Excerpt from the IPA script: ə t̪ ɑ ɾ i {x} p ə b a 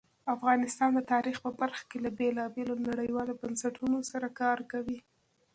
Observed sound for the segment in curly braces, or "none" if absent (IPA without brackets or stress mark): x